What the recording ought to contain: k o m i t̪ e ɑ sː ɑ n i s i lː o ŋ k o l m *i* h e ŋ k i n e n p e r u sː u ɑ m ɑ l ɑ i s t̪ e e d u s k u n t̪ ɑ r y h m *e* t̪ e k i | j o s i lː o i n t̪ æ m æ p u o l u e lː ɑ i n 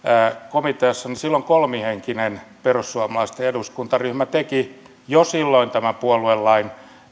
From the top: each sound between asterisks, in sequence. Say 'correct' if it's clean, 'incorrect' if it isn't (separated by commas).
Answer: correct, incorrect